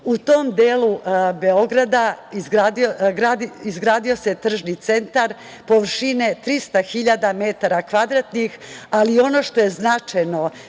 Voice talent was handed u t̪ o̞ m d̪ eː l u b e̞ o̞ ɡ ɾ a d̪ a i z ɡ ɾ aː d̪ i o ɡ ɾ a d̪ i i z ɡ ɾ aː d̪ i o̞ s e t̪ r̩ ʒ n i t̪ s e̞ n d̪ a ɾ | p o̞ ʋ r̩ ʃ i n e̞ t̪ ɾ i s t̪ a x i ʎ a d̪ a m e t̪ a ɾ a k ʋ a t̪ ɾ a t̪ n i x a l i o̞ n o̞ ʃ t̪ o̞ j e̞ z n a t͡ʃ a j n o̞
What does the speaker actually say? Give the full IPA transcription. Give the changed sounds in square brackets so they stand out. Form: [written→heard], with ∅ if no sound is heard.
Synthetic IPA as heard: u t̪ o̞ m d̪ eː l u b e̞ o̞ ɡ ɾ a d̪ a i z ɡ ɾ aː d̪ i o ɡ ɾ a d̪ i i z ɡ ɾ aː d̪ i o̞ s e t̪ r̩ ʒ n i t̪ s e̞ n [d̪→t̪] a ɾ | p o̞ ʋ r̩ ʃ i n e̞ t̪ ɾ i s t̪ a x i ʎ a d̪ a m e t̪ a ɾ a k ʋ a [t̪→d̪] ɾ a t̪ n i x a l i o̞ n o̞ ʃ t̪ o̞ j e̞ z n a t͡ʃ a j n o̞